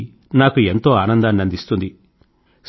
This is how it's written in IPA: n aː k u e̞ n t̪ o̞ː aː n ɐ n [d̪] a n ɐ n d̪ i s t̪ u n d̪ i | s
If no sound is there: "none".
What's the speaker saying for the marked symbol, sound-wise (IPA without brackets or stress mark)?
d̪